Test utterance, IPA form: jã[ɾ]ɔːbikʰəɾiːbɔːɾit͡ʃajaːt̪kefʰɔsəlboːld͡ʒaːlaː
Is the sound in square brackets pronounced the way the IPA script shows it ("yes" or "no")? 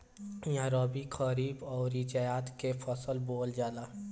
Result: yes